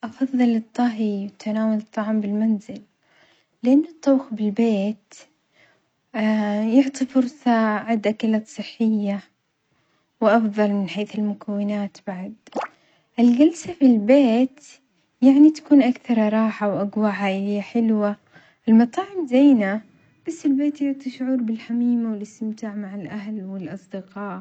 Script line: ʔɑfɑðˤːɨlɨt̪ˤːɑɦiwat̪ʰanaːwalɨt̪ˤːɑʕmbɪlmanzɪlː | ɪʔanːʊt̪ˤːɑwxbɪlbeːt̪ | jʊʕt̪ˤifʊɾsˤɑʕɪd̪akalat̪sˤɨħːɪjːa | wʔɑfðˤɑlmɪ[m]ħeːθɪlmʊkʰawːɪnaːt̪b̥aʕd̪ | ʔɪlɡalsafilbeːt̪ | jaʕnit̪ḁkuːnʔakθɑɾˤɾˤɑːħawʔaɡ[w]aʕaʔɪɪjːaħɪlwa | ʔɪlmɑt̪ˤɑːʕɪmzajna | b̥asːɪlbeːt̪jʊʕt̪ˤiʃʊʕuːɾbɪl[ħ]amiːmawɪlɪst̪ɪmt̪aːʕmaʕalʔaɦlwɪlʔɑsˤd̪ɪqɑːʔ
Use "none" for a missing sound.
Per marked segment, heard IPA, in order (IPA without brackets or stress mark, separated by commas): n, w, ħ